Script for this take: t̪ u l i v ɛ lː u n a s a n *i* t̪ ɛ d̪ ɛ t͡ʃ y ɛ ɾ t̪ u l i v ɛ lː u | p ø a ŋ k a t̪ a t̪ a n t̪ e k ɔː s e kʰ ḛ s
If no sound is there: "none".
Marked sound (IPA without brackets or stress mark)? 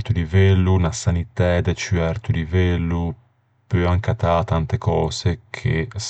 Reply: i